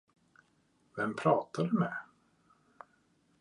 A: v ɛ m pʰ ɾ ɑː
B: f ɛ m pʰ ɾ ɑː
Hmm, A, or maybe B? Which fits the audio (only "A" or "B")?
A